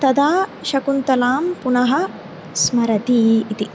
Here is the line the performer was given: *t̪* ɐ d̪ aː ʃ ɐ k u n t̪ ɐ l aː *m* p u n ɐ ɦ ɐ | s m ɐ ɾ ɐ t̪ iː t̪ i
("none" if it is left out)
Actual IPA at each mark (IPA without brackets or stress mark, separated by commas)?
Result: t̪, m